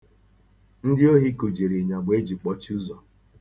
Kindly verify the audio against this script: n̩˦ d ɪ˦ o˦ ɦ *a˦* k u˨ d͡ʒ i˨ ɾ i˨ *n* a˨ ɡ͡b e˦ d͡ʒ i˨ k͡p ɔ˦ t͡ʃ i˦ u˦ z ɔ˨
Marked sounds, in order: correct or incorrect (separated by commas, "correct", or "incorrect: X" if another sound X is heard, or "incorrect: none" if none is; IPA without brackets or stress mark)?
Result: incorrect: i˦, incorrect: ɲ